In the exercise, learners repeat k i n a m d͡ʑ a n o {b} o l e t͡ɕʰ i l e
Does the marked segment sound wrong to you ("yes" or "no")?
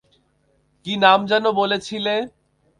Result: no